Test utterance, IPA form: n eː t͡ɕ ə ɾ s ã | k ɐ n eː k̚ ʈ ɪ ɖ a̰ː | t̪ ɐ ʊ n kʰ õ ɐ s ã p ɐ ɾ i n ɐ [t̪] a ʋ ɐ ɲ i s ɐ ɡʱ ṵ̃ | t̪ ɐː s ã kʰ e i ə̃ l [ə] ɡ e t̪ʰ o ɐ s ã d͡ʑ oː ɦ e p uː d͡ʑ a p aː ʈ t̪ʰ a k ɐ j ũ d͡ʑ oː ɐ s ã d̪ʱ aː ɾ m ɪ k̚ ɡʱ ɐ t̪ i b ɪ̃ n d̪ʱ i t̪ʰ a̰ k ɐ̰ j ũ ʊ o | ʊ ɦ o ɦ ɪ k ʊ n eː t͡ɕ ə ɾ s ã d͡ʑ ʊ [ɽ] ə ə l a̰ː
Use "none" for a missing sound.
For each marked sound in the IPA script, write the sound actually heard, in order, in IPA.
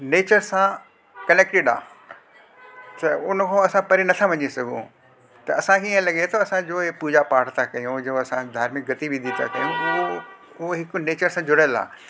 t̪ʰ, ɐ, ɽ

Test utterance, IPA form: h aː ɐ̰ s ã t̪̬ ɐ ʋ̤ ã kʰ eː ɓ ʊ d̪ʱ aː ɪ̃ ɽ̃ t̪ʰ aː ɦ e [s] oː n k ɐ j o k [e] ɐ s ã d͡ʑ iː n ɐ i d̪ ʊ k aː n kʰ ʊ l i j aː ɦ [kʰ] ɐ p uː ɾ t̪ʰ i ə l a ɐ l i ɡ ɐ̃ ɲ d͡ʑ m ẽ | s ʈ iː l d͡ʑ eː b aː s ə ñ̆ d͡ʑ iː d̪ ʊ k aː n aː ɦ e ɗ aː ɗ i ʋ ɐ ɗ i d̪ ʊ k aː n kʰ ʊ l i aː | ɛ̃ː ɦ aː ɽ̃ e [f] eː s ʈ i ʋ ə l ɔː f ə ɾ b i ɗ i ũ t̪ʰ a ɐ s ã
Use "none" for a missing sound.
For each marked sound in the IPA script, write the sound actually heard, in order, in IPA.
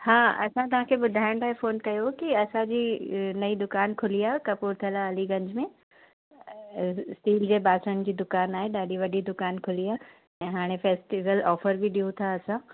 f, i, k, f

